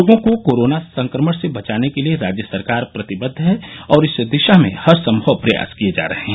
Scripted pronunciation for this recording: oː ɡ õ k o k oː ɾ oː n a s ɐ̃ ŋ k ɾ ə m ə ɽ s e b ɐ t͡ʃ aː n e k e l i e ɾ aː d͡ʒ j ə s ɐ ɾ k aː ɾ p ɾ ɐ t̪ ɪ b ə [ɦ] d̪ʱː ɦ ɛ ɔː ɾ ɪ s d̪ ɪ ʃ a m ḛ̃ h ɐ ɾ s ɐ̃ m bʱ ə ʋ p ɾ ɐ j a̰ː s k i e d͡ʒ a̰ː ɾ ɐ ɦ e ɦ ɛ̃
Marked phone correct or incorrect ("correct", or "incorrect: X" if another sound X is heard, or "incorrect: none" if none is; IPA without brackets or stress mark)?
incorrect: none